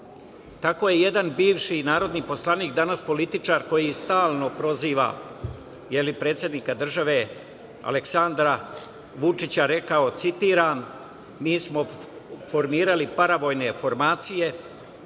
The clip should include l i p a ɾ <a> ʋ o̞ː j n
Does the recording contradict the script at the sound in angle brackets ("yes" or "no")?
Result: no